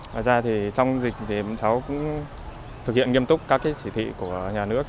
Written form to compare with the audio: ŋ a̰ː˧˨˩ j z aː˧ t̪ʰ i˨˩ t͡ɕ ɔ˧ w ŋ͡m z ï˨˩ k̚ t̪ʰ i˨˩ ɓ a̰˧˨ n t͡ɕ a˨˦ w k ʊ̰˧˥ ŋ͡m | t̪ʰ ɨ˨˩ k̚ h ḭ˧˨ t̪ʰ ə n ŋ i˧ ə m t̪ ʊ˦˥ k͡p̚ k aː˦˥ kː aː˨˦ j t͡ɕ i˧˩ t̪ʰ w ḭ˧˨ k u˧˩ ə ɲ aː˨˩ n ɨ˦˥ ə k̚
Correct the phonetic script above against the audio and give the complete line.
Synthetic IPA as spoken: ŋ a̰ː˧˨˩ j z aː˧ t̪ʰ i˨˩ t͡ɕ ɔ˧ w ŋ͡m z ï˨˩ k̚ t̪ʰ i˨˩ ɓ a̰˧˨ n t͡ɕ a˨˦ w k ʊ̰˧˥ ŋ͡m | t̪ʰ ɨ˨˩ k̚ h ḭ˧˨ ə n ŋ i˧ ə m t̪ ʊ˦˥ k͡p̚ k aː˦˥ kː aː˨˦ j t͡ɕ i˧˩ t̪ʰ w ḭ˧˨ k u˧˩ ə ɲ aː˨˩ n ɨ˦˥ ə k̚